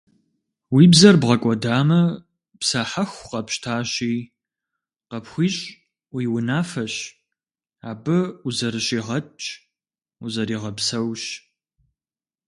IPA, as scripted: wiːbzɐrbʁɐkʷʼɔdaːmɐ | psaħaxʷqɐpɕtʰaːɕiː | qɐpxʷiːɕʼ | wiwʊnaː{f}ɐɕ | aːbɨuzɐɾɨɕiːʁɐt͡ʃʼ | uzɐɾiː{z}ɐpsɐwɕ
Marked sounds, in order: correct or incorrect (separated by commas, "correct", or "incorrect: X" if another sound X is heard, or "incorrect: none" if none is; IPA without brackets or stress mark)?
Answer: correct, incorrect: ʁ